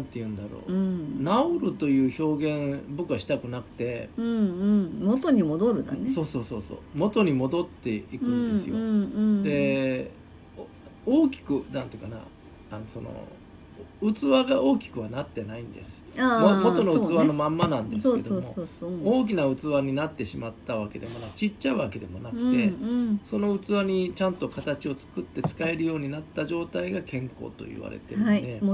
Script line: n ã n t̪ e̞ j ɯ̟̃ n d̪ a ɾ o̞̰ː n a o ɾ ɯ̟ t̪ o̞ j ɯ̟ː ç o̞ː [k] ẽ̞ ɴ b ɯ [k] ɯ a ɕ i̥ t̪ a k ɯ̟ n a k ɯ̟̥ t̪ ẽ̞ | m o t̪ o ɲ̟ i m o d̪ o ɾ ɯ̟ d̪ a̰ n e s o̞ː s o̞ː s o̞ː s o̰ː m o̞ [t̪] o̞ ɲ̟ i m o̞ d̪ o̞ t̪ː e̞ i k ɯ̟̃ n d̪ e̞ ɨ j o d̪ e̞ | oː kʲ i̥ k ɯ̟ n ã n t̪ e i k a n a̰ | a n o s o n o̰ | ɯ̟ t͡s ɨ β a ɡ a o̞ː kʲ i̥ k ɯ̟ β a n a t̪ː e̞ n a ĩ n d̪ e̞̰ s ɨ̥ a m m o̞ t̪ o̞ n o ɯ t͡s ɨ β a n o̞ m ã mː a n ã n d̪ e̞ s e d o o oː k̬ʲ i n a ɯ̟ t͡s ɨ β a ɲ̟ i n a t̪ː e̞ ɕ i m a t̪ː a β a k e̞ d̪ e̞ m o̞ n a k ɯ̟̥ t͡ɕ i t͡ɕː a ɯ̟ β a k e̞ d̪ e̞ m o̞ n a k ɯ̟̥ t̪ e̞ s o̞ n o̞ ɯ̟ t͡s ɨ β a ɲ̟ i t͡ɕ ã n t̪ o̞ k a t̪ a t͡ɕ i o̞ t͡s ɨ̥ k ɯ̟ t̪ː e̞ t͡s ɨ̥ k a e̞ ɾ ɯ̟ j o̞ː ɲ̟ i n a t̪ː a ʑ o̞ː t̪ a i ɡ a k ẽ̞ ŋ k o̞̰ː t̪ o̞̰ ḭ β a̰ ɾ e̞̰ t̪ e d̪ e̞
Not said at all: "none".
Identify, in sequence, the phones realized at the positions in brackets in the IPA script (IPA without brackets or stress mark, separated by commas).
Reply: ɡ, k, t̪